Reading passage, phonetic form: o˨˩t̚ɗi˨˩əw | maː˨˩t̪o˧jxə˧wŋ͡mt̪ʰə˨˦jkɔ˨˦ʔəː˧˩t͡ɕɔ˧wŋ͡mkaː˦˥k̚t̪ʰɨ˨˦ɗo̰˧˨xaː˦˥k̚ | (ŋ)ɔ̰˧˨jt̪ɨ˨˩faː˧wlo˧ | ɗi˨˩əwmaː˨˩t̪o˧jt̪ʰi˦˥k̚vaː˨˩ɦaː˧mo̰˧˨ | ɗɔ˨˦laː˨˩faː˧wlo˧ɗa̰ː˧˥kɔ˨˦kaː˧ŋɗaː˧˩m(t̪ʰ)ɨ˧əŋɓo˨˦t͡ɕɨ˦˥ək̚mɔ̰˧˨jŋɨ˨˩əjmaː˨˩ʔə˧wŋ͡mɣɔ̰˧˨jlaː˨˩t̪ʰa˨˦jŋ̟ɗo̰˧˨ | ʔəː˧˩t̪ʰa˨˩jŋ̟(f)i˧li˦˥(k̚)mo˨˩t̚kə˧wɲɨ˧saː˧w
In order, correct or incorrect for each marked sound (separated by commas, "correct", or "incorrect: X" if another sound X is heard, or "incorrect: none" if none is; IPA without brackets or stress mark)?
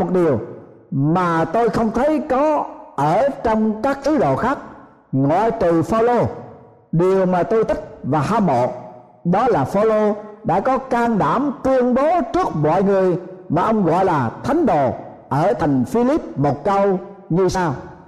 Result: correct, incorrect: t̪, correct, incorrect: p̚